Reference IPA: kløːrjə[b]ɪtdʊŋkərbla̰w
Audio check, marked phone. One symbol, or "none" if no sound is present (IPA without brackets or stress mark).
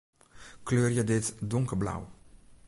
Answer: d